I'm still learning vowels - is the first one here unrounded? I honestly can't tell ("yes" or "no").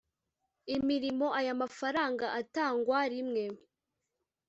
yes